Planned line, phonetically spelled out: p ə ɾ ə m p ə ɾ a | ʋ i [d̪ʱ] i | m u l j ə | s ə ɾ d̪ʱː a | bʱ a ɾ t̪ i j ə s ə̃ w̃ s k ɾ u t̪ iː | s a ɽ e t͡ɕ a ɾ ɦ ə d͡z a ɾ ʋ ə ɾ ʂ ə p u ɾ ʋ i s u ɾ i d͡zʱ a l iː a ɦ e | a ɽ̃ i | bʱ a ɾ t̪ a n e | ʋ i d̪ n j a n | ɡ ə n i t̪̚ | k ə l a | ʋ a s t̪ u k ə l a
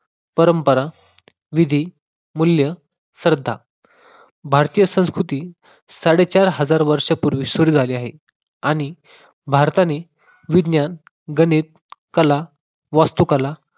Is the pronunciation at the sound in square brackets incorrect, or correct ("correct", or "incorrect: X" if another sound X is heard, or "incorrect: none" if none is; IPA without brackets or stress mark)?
correct